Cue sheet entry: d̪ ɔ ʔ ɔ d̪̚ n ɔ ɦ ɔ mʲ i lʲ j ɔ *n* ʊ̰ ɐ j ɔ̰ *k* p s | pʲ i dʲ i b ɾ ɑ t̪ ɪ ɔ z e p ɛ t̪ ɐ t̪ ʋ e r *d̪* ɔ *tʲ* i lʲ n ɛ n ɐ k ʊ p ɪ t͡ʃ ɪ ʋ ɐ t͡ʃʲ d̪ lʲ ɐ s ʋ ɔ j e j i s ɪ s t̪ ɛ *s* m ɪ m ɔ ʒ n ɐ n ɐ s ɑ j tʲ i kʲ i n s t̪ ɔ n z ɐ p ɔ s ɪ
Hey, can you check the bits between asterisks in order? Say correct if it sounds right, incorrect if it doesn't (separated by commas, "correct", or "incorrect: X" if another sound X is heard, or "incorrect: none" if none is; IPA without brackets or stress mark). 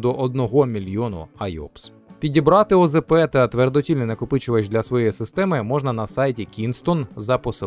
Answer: correct, incorrect: none, correct, correct, incorrect: none